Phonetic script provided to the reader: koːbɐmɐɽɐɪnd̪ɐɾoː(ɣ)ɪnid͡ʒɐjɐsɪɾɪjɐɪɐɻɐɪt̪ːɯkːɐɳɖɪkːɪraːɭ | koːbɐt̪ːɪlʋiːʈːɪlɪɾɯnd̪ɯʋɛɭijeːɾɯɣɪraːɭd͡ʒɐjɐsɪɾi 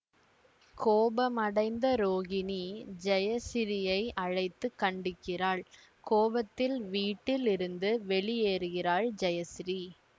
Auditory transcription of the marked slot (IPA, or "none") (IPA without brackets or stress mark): ɣ